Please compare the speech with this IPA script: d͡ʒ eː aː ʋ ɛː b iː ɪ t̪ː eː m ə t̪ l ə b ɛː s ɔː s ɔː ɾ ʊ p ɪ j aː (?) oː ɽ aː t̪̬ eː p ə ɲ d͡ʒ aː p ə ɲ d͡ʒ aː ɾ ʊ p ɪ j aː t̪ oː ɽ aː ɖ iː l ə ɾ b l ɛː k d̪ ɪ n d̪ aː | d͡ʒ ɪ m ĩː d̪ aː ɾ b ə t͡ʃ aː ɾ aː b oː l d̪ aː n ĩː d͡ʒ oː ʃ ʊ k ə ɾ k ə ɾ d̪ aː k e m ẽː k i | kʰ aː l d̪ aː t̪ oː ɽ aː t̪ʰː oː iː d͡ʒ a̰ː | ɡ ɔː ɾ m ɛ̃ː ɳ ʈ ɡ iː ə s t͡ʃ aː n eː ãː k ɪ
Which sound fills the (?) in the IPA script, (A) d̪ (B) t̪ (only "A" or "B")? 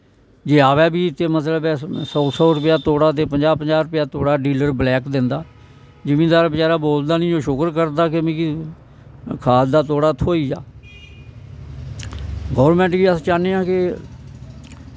B